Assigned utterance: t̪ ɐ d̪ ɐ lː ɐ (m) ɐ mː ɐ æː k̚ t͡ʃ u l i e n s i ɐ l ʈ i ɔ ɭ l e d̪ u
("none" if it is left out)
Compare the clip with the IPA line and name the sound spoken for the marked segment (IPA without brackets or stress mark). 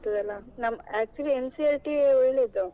n